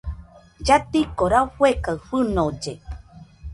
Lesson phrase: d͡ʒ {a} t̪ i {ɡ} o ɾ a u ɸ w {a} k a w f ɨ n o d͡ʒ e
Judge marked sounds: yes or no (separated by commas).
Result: yes, no, no